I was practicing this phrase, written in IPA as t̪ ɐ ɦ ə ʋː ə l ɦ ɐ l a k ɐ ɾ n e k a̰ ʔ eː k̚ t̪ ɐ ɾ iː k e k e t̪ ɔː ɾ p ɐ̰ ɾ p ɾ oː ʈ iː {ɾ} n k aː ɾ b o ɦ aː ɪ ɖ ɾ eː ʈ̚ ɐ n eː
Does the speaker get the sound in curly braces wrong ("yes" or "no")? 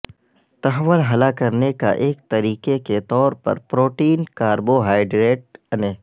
yes